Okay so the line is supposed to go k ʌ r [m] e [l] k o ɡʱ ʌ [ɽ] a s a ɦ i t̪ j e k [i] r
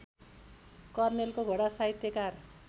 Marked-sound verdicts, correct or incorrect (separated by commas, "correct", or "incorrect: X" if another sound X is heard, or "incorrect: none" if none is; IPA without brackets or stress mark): incorrect: n, correct, correct, incorrect: a